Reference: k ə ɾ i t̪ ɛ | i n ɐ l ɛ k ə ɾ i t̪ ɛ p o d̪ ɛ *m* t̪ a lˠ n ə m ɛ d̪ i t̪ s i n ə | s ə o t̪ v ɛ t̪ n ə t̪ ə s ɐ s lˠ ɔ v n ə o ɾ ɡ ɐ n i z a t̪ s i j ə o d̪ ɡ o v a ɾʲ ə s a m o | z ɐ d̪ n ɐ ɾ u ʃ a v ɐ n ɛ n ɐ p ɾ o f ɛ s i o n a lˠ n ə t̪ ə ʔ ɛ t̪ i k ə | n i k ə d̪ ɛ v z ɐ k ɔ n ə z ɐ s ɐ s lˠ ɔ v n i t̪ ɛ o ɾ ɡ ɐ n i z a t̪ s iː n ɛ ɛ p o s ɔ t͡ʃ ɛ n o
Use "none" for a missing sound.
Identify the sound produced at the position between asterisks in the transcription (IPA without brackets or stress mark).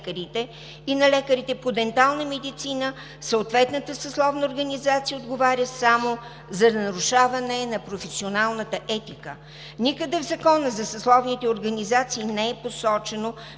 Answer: n